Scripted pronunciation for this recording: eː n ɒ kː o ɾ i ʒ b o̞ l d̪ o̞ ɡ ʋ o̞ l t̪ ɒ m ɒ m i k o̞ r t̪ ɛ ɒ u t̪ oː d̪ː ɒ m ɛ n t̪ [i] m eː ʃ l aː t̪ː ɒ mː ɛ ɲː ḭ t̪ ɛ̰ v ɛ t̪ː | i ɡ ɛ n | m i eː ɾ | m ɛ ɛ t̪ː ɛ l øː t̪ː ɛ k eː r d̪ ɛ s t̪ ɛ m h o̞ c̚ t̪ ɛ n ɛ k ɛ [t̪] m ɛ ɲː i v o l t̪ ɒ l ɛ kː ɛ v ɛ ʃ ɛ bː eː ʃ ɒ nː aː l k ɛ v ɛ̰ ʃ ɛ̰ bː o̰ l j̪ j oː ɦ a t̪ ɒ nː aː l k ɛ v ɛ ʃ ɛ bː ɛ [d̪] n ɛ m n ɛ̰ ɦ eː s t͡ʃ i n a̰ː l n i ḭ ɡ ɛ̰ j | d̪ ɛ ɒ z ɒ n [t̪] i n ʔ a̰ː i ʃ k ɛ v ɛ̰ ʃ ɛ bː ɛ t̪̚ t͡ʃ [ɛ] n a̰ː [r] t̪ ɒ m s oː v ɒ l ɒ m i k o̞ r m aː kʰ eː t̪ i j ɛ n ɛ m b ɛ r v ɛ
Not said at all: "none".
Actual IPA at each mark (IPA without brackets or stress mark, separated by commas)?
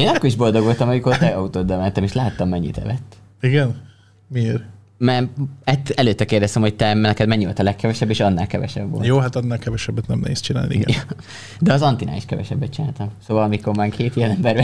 ɛ, d̪, t̪, t̪, i, l